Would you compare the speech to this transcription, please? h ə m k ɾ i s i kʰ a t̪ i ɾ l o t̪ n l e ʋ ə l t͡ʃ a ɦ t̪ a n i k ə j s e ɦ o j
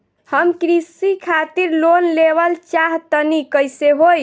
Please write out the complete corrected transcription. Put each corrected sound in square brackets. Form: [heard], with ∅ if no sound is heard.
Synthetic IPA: h ə m k ɾ i s i kʰ a t̪ i ɾ l o [∅] n l e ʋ ə l t͡ʃ a ɦ t̪ [ə] n i k ə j s e ɦ o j